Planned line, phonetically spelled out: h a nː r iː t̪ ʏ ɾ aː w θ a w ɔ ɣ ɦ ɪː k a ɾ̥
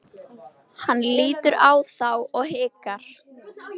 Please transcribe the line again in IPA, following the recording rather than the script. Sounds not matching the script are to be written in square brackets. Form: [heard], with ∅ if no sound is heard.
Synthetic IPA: h a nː [l] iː t̪ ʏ ɾ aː w θ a w ɔ ɣ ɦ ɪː k a ɾ̥